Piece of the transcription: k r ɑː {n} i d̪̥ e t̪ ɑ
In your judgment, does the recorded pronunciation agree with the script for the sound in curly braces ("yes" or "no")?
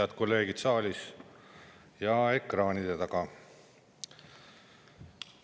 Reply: yes